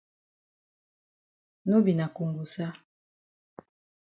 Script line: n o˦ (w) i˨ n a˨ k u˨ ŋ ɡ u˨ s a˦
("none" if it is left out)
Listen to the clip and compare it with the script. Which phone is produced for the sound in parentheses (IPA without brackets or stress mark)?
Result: b